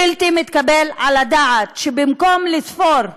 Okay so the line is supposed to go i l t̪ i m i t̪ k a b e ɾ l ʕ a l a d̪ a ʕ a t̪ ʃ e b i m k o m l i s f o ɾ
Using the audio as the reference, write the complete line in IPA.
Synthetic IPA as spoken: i l t̪ i m i t̪ k a b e l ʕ a l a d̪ a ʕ a t̪ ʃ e b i m k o m l i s f o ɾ